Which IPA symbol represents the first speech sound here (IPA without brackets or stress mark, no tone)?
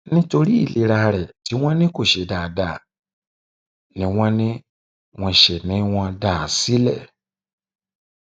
n